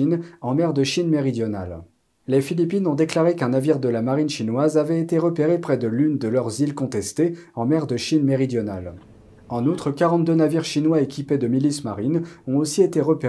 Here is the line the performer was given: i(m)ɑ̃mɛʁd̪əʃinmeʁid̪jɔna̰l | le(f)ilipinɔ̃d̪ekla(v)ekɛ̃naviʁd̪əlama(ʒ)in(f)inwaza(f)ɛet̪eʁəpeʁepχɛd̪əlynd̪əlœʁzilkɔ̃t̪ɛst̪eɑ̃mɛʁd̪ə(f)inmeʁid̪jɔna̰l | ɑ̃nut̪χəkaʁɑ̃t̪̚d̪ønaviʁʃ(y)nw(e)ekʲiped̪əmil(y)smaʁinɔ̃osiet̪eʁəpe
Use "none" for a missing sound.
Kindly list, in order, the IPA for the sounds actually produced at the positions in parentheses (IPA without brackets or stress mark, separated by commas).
n, f, ʁ, ʁ, ʃ, v, ʃ, i, a, i